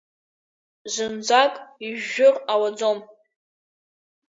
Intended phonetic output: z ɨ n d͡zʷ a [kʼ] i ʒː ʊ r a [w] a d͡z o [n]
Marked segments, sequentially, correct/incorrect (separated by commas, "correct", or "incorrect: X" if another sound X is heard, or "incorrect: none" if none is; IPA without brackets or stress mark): correct, correct, incorrect: m